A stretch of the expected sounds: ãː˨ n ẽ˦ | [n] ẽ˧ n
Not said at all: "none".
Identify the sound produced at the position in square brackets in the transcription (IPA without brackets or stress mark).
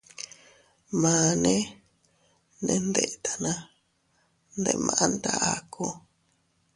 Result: n